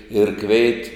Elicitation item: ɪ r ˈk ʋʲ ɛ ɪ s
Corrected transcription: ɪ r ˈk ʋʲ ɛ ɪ t